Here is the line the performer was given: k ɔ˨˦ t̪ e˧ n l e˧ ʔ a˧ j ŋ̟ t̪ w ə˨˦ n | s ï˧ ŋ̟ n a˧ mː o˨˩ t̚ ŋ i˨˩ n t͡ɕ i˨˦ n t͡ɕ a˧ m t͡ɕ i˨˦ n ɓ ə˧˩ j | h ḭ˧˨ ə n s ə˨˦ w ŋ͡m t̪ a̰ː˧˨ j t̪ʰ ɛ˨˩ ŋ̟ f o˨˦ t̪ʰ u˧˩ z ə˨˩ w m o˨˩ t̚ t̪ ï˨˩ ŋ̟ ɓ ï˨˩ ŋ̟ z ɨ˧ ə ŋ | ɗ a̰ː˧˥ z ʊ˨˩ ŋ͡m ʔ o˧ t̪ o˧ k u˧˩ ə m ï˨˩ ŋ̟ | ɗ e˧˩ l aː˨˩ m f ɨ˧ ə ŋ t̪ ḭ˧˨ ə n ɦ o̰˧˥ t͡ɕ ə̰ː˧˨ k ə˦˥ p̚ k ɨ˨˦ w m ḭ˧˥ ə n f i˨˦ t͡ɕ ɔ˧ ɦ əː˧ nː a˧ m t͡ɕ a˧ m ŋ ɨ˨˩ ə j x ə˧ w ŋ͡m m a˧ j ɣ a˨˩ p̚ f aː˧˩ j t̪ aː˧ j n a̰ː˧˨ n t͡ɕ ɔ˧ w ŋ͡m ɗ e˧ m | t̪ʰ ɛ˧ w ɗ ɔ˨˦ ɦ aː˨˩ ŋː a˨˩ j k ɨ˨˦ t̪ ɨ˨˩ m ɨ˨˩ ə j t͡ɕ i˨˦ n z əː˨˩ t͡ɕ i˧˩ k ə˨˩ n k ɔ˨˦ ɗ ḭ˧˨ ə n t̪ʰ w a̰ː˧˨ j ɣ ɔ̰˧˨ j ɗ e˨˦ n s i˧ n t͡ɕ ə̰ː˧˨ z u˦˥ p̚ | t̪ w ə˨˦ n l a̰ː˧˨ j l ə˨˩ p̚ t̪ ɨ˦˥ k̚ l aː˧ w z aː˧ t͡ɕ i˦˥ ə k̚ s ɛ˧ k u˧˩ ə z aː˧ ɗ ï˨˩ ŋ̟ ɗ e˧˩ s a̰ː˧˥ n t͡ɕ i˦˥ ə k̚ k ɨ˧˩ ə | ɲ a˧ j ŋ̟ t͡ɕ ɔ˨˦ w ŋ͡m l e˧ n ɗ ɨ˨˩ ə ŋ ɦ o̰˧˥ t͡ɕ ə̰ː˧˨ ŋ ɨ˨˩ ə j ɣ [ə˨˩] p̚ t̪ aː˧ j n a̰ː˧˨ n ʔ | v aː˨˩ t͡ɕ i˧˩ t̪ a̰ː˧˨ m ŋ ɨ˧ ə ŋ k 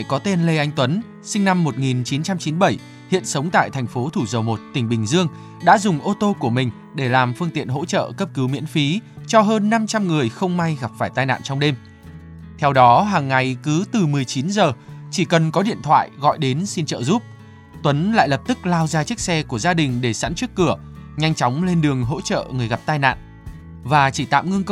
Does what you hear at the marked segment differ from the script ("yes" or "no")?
yes